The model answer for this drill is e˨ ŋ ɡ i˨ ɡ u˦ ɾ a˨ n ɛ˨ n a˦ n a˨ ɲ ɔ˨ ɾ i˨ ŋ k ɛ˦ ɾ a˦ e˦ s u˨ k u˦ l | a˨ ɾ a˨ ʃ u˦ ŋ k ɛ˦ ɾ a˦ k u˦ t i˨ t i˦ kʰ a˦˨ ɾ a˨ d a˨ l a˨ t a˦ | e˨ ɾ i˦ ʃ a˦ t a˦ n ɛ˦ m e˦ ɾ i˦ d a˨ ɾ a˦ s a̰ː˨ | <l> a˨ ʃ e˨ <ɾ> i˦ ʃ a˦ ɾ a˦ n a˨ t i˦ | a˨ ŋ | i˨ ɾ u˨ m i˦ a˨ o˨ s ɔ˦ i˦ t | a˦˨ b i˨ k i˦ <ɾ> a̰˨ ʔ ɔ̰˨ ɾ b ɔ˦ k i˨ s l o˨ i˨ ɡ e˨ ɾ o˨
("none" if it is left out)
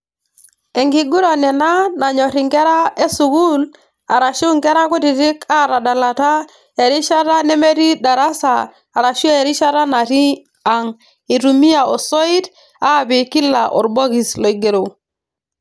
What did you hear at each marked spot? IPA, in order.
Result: ɾ, ɾ, l

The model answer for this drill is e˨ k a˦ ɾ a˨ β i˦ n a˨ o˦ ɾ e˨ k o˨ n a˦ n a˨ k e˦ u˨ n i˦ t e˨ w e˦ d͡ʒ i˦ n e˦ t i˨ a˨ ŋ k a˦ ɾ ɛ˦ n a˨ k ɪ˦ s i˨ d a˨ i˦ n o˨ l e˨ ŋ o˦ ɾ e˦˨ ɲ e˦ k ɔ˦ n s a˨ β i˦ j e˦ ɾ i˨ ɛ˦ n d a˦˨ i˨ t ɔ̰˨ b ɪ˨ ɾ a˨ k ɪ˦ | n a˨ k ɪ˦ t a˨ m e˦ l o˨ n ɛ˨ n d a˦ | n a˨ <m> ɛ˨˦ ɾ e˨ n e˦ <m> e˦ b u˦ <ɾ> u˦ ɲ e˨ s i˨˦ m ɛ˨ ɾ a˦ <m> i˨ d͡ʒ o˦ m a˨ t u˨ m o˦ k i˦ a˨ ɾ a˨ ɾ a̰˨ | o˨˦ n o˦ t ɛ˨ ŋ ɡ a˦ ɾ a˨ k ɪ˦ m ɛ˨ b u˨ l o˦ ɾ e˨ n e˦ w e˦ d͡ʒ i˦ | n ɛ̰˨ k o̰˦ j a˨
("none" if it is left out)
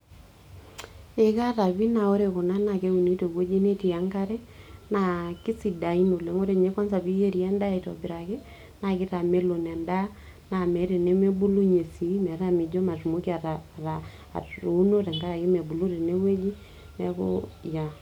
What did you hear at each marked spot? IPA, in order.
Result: m, m, l, m

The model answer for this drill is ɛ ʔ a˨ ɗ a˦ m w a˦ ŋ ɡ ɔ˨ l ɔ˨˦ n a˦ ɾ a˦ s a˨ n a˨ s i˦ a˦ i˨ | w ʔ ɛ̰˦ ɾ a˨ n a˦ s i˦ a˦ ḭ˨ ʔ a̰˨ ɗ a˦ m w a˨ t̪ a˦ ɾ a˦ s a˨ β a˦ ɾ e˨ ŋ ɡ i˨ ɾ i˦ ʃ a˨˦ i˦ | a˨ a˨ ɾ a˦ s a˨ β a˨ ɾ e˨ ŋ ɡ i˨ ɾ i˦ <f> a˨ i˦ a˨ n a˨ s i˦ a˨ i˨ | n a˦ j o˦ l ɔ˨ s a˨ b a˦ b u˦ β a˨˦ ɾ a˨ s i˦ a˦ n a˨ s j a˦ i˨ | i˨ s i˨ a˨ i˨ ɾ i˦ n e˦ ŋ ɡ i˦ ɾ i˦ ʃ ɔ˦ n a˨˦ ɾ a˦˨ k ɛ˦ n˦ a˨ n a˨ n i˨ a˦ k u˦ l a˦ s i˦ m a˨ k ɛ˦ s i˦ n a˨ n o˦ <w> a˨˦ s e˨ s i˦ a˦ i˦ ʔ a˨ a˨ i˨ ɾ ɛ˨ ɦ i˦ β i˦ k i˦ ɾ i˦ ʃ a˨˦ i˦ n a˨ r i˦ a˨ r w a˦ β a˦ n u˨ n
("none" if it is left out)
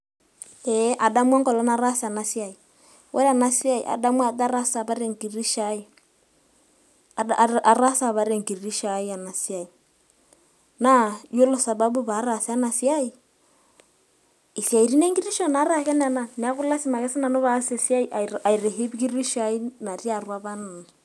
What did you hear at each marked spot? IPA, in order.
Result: ʃ, β

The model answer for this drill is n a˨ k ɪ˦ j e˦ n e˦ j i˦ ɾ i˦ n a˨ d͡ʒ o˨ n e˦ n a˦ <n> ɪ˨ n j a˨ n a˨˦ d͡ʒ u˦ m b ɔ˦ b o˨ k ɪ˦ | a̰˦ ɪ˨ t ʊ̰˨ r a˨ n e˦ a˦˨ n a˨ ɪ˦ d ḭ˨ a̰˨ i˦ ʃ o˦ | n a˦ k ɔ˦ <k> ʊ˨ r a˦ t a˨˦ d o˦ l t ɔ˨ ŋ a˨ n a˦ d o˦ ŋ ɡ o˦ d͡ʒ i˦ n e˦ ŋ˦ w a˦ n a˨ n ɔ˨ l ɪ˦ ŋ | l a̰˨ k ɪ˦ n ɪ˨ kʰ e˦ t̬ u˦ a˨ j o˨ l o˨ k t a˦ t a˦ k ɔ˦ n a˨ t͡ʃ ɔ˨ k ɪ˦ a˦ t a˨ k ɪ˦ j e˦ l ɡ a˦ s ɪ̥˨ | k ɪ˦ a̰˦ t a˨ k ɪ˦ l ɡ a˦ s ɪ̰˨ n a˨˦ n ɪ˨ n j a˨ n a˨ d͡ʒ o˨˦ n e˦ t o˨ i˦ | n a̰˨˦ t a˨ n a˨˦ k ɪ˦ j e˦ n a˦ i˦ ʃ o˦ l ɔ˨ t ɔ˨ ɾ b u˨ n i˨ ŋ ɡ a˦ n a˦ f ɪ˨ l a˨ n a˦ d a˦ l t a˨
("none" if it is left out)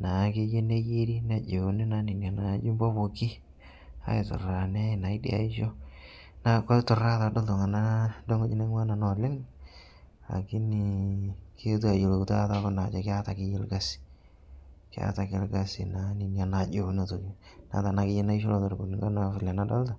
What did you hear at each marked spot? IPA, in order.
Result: n, t

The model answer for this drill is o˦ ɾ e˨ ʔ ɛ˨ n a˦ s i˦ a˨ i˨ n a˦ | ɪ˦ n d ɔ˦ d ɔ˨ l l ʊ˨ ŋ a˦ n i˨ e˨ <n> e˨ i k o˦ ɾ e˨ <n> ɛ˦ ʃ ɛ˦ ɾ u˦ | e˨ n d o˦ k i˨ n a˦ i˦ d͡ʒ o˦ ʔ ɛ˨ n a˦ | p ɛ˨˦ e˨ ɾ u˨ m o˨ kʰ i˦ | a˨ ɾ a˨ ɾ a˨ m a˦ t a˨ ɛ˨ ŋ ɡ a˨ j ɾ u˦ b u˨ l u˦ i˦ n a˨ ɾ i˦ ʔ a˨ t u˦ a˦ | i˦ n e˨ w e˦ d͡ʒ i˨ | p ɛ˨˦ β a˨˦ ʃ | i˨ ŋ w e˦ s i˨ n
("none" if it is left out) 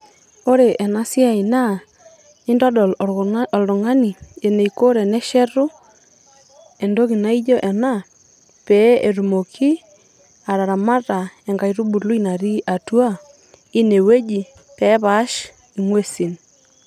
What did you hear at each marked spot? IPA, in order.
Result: n, n

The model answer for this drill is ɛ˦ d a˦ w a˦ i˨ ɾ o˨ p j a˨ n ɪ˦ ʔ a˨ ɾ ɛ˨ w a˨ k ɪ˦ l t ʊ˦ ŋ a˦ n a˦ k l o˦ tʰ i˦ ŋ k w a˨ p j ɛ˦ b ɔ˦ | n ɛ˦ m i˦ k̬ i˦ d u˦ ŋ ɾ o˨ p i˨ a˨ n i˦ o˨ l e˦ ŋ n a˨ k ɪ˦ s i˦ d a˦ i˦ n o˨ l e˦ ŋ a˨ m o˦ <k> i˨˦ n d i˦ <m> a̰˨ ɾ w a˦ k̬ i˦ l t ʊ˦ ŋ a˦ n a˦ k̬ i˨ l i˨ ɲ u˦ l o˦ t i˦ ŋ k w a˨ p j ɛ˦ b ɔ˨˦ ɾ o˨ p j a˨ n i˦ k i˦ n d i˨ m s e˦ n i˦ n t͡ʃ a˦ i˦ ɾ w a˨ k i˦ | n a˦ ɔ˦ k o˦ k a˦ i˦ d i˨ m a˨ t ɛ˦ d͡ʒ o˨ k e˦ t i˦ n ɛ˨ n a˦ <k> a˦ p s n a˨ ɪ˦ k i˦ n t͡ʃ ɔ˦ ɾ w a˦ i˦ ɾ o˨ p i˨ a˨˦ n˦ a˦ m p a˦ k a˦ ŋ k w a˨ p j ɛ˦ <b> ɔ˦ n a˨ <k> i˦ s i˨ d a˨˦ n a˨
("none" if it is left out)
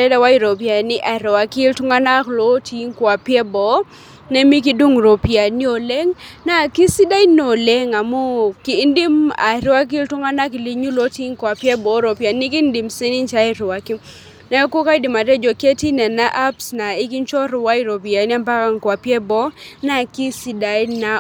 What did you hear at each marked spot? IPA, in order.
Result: k, m, ʔ, b, k

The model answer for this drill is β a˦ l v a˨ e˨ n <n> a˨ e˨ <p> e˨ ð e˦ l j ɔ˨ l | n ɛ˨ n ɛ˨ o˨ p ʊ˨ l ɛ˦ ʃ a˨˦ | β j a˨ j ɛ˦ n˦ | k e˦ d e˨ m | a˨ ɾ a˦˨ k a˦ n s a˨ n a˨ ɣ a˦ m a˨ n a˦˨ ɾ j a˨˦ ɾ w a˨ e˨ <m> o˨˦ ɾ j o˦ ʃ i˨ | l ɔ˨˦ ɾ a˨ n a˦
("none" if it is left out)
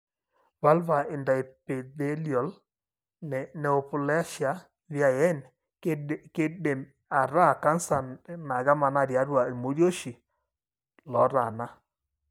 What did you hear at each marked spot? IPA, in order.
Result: d, p, m

